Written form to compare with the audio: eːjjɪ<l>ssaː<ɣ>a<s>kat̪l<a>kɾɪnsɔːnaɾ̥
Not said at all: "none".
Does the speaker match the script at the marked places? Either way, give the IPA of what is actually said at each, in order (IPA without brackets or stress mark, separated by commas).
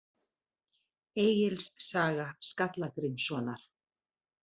l, ɣ, s, a